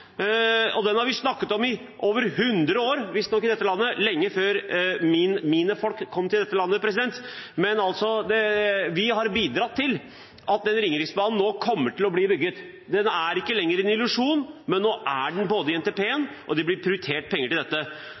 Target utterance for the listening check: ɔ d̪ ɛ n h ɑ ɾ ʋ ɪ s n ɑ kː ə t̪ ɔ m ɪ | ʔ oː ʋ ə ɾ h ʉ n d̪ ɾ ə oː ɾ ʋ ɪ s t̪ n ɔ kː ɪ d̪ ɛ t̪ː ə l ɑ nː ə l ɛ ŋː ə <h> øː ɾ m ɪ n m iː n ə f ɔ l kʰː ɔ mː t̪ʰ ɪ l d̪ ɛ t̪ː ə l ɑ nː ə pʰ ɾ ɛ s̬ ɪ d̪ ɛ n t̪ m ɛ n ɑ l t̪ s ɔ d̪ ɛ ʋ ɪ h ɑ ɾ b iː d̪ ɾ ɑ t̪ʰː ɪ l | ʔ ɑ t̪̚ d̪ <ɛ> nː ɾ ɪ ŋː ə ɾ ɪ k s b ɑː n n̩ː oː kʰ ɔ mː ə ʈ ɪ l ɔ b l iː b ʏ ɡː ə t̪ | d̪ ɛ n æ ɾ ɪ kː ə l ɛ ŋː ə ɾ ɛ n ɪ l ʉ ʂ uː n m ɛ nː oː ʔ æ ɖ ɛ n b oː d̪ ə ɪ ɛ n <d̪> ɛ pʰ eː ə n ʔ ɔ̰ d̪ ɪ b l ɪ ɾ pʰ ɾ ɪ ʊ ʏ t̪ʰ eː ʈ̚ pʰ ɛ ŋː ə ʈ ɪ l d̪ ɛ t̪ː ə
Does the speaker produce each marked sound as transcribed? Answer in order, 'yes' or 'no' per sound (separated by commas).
no, yes, no